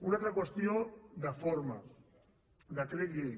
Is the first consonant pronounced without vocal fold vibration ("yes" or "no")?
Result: no